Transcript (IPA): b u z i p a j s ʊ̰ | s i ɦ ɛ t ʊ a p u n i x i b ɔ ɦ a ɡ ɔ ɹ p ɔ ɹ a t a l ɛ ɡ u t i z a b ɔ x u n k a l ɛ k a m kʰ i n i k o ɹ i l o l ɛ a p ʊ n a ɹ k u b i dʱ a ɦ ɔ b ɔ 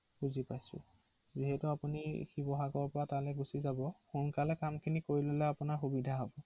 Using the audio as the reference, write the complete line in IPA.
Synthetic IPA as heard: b u z i p a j s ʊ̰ | z i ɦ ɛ t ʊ a p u n i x i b ɔ ɦ a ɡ ɔ ɹ p ɔ ɹ a t a l ɛ ɡ u s i z a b ɔ x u n k a l ɛ k a m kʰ i n i k o ɹ i l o l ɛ a p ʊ n a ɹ x u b i dʱ a ɦ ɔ b ɔ